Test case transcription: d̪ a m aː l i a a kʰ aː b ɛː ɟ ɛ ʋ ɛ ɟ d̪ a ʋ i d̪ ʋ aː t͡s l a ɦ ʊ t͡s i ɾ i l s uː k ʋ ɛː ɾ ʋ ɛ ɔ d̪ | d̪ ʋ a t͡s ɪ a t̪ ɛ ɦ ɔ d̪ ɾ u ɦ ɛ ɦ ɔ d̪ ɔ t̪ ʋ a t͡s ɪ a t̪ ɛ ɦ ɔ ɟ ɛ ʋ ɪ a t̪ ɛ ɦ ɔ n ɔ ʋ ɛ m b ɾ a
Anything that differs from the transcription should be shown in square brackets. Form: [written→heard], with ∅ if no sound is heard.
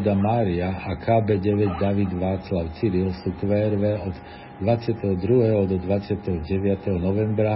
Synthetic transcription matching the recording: d̪ a m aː [l→ɾ] i a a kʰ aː b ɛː ɟ ɛ ʋ ɛ ɟ d̪ a ʋ i d̪ ʋ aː t͡s l a [ɦ→∅] ʊ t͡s i ɾ i l s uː k ʋ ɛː ɾ ʋ ɛ ɔ d̪ | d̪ ʋ a t͡s ɪ a t̪ ɛ ɦ ɔ d̪ ɾ u ɦ ɛ ɦ ɔ d̪ ɔ [t̪→d̪] ʋ a t͡s ɪ a t̪ ɛ ɦ ɔ ɟ ɛ ʋ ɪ a t̪ ɛ ɦ ɔ n ɔ ʋ ɛ m b ɾ a